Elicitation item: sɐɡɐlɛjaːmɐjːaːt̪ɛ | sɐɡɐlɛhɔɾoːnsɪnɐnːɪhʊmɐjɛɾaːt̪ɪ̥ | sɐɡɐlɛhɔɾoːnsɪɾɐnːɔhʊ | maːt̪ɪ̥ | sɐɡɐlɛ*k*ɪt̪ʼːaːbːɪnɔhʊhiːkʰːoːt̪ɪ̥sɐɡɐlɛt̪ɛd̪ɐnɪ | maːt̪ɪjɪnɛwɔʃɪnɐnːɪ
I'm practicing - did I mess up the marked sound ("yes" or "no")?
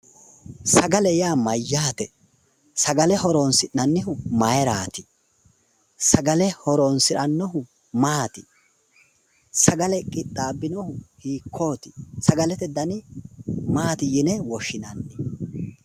yes